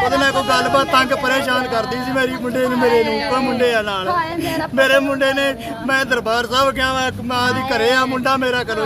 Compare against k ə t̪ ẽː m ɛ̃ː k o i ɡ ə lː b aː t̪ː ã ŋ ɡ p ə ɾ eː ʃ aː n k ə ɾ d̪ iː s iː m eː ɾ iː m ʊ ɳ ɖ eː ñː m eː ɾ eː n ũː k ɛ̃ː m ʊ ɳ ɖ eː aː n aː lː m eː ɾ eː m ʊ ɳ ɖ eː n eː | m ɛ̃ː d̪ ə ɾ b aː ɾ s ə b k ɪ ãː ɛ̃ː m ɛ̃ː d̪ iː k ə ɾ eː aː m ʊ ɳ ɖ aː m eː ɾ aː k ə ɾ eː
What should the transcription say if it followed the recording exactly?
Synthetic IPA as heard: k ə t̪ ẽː m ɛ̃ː k o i ɡ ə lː b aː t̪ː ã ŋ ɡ p ə ɾ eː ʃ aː n k ə ɾ d̪ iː s iː m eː ɾ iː m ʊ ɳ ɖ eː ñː m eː ɾ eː n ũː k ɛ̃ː m ʊ ɳ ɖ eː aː n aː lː m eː ɾ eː m ʊ ɳ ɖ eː n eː | m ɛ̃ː d̪ ə ɾ b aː ɾ s ə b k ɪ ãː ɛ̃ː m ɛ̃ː d̪ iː k ə ɾ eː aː m ʊ ɳ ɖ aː m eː ɾ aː k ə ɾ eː